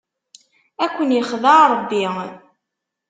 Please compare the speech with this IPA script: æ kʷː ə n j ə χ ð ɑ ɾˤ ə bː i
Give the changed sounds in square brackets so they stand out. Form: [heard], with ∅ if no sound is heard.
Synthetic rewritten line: æ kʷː ə n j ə χ ð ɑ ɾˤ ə bː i